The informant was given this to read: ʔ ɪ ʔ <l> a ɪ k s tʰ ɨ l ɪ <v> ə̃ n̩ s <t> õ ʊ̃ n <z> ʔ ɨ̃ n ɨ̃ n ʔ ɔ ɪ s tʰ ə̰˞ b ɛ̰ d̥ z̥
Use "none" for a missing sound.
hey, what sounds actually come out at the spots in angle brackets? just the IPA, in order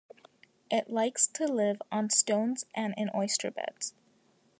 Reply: l, v, t, z

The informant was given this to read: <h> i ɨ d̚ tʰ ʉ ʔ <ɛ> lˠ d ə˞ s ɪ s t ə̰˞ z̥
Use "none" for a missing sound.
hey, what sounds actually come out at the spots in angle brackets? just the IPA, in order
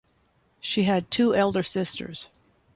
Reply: ʃ, ɛ

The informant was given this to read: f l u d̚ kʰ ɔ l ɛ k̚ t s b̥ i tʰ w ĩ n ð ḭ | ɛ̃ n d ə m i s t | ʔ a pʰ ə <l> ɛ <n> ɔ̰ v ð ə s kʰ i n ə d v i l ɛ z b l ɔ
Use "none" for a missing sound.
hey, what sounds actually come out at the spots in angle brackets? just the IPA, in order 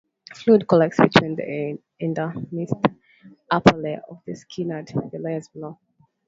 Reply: l, none

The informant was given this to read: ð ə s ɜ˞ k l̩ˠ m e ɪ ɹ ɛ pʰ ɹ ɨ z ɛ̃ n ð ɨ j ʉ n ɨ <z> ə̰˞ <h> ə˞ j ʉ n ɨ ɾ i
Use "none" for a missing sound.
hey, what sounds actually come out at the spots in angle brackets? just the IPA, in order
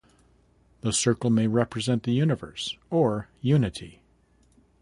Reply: v, s

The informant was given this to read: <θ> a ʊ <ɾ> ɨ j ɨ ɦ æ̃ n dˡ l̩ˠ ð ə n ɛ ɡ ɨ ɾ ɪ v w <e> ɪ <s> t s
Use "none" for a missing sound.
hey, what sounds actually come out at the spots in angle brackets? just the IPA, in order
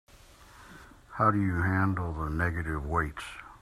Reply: h, ɾ, e, none

